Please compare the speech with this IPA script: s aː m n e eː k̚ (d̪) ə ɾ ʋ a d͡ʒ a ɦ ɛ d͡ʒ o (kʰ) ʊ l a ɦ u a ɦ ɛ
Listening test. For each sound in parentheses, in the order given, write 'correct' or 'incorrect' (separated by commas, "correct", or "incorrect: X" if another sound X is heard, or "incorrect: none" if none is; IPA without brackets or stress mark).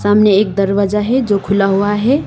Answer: correct, correct